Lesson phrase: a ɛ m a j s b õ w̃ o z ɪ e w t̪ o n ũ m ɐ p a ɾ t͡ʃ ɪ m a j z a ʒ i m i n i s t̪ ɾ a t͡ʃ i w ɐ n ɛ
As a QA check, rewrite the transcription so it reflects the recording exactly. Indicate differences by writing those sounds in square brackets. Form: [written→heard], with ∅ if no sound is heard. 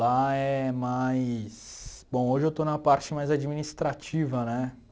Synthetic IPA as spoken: a ɛ m a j s b õ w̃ o [z→ʒ] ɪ e w t̪ o n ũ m ɐ p a ɾ t͡ʃ ɪ m a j z a [ʒ→d͡ʒ] i m i n i s t̪ ɾ a t͡ʃ i [w→v] ɐ n ɛ